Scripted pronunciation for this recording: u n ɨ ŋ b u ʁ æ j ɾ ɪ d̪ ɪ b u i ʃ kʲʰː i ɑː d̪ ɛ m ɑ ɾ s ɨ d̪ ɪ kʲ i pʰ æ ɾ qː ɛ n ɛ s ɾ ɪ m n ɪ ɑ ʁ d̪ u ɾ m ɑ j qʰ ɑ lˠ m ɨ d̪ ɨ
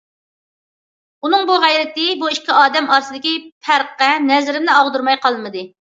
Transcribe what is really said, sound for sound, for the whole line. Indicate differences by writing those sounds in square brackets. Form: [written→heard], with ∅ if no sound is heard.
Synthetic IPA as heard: u n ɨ ŋ b u ʁ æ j ɾ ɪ [d̪→t̪] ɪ b u i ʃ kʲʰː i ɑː d̪ ɛ m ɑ ɾ s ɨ d̪ ɪ kʲ i pʰ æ ɾ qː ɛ n ɛ [s→z] ɾ ɪ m n ɪ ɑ ʁ d̪ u ɾ m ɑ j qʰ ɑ lˠ m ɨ d̪ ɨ

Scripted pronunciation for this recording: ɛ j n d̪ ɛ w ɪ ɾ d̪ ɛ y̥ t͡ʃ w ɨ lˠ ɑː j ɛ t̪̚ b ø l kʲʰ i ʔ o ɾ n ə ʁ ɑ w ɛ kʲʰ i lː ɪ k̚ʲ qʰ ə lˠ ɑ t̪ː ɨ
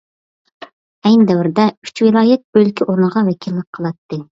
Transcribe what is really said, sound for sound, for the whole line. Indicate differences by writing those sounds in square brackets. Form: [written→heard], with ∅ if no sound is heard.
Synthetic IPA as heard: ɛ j n d̪ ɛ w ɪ ɾ d̪ ɛ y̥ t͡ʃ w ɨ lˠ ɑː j ɛ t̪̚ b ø l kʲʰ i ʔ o ɾ n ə ʁ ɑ w ɛ kʲʰ i lː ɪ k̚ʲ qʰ ə lˠ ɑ t̪ː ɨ

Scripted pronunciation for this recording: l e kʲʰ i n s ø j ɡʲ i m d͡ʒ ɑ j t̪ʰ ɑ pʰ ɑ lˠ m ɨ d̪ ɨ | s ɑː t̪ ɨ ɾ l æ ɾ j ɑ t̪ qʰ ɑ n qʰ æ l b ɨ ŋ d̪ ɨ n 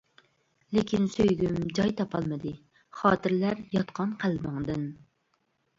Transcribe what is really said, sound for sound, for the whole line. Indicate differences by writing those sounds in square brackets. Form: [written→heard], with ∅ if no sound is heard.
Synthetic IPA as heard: l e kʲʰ i n s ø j ɡʲ [i→y] m d͡ʒ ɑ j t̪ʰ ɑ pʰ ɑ lˠ m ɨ d̪ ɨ | [s→χ] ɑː t̪ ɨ ɾ l æ ɾ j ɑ t̪ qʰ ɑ n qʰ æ l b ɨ ŋ d̪ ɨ n

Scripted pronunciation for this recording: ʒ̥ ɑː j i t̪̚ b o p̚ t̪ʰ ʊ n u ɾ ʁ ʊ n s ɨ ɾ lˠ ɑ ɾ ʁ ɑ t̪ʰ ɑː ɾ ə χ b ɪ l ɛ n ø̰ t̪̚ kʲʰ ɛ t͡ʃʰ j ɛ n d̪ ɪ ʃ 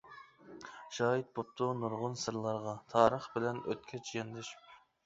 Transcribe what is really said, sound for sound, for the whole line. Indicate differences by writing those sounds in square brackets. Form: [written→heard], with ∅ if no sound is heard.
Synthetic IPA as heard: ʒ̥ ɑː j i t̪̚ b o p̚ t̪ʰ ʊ n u ɾ ʁ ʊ n s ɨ ɾ lˠ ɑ ɾ ʁ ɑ t̪ʰ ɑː ɾ ə χ b ɪ l ɛ n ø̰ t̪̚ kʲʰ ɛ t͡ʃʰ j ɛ n d̪ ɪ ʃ

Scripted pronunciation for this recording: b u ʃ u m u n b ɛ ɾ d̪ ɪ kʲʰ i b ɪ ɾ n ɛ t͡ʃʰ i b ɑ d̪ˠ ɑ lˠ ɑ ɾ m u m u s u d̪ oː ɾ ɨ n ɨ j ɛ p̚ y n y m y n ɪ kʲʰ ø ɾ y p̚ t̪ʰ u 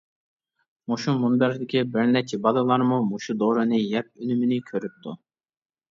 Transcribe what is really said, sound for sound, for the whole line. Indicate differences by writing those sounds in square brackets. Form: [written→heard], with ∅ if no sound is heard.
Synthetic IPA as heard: [b→m] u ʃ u m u n b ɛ ɾ d̪ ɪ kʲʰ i b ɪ ɾ n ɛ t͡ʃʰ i b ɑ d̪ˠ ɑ lˠ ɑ ɾ m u m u [s→ʃ] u d̪ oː ɾ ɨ n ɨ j ɛ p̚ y n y m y n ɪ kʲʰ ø ɾ y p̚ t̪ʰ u

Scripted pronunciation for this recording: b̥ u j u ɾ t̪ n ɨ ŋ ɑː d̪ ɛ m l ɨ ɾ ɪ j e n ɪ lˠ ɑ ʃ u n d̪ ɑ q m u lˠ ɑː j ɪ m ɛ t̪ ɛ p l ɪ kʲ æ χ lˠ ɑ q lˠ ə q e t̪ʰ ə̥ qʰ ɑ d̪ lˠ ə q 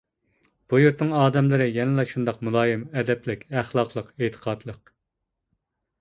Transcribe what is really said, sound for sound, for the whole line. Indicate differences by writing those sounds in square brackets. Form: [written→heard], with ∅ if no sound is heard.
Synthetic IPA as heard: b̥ u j u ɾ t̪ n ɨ ŋ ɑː d̪ ɛ m l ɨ ɾ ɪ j [e→ɛ] n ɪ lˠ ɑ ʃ u n d̪ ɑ q m u lˠ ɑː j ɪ m ɛ [t̪→d̪] ɛ p l ɪ kʲ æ χ lˠ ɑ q lˠ ə q e t̪ʰ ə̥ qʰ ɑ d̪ lˠ ə q

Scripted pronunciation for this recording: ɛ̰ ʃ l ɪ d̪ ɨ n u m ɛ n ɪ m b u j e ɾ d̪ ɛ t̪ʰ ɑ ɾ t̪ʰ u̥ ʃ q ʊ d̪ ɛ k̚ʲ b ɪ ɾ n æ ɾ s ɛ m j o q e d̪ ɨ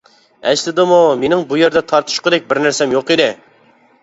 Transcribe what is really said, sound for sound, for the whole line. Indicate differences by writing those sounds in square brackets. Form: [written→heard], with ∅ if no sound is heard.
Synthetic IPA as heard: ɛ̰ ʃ l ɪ d̪ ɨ [n→m] u m [ɛ→e] n ɪ [m→ŋ] b u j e ɾ d̪ ɛ t̪ʰ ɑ ɾ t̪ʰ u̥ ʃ q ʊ d̪ ɛ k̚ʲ b ɪ ɾ n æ ɾ s ɛ m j o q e d̪ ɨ

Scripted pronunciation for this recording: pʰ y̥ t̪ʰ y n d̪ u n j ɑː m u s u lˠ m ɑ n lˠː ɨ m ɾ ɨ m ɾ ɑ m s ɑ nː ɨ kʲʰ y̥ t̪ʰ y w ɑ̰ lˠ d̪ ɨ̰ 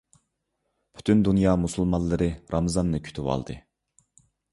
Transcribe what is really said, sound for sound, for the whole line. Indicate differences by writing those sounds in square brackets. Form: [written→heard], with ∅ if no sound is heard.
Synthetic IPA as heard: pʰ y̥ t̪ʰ y n d̪ u n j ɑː m u s u lˠ m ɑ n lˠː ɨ [m→∅] ɾ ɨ [m→∅] ɾ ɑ m [s→z] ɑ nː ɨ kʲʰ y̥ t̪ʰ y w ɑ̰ lˠ d̪ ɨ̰

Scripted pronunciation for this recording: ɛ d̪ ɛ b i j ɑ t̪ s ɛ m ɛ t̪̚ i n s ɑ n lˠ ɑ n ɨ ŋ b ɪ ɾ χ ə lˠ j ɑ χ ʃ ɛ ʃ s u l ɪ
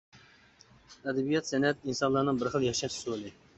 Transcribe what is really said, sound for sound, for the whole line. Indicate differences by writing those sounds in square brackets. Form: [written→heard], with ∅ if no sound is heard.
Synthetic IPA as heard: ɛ d̪ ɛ b i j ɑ t̪ s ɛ [m→n] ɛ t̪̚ i n s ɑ n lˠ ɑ n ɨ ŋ b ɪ ɾ χ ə lˠ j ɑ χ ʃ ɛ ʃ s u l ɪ

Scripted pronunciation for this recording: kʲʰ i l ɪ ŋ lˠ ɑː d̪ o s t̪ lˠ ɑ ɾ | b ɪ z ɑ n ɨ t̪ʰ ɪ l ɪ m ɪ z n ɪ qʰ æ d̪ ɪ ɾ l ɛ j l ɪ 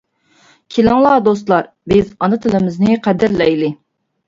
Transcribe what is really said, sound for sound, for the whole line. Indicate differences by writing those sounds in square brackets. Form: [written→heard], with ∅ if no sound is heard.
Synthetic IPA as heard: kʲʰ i l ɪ ŋ lˠ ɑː d̪ o s t̪ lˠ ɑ ɾ | b ɪ z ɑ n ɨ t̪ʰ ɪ l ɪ m ɪ z n ɪ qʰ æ d̪ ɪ ɾ l ɛ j l ɪ

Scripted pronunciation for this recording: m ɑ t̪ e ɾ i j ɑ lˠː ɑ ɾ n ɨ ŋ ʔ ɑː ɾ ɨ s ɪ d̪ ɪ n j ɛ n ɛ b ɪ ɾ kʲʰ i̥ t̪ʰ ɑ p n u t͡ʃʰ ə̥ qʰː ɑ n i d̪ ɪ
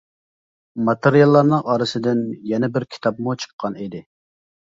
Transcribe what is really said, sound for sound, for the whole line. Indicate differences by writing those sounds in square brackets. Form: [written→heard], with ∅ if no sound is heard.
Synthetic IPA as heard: m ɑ t̪ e ɾ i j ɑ lˠː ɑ ɾ n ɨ ŋ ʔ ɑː ɾ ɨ s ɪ d̪ ɪ n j ɛ n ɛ b ɪ ɾ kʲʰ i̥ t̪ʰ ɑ p [n→m] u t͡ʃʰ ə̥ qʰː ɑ n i d̪ ɪ

